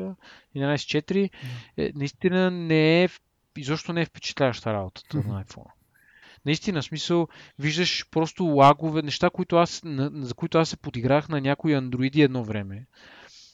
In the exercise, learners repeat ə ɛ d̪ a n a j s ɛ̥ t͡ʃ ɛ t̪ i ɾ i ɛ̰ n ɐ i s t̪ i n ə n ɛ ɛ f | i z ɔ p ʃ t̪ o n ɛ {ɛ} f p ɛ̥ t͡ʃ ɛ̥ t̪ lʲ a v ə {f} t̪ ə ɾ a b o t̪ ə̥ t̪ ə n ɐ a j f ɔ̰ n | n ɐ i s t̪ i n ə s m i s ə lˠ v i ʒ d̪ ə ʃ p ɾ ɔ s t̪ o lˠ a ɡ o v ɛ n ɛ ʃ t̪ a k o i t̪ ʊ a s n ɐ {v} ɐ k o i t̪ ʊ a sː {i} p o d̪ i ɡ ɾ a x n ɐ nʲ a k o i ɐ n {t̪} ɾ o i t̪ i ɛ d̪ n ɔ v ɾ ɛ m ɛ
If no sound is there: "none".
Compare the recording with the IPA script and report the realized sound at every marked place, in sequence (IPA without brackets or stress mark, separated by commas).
ɛ, ʃ, z, ɛ, d̪